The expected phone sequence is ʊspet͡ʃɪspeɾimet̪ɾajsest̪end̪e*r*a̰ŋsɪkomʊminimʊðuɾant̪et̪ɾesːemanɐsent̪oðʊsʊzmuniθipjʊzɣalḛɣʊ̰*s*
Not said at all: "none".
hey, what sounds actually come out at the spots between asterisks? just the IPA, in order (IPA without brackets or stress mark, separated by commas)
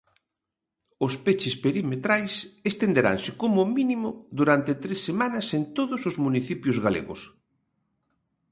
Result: ɾ, s